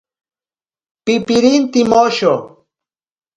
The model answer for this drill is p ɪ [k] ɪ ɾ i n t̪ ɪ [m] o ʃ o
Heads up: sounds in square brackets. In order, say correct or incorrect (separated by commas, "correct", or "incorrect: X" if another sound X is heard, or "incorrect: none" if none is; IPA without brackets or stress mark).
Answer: incorrect: p, correct